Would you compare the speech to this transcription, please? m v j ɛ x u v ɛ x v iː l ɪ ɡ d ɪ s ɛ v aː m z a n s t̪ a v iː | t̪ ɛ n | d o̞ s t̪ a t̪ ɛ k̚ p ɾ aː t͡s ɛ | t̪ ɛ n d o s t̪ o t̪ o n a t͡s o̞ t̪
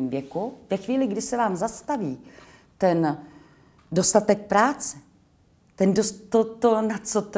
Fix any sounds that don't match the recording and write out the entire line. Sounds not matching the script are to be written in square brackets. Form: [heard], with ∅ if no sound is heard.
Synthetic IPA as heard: m v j ɛ [k] u v ɛ x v iː l ɪ ɡ d ɪ s ɛ v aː m z a [∅] s t̪ a v iː | t̪ ɛ n | d o̞ s t̪ a t̪ ɛ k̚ p ɾ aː t͡s ɛ | t̪ ɛ n d o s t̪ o t̪ o n a t͡s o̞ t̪